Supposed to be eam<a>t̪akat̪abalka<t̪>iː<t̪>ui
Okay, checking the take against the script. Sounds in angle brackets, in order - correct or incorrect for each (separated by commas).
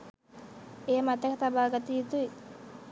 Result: correct, correct, correct